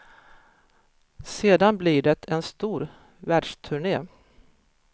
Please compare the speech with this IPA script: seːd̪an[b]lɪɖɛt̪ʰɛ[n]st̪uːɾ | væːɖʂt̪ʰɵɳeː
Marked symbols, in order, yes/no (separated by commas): yes, yes